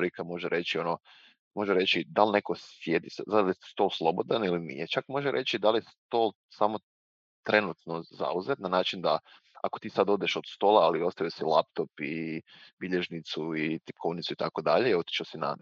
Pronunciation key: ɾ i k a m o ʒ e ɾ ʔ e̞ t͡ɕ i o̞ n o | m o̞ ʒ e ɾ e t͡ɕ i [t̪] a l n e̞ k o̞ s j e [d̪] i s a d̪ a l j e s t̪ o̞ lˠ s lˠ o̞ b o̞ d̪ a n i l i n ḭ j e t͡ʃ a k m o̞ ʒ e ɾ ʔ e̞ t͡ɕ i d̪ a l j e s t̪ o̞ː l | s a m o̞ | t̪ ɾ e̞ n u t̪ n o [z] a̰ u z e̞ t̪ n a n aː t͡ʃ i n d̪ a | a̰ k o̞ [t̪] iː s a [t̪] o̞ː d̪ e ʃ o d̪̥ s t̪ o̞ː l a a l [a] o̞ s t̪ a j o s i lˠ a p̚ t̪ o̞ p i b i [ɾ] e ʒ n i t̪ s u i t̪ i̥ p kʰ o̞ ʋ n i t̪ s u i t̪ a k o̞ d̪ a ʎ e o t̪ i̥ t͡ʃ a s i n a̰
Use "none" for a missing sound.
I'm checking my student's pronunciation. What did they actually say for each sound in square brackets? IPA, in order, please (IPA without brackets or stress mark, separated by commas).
d̪, d̪, z, t̪, d̪, i, ʎ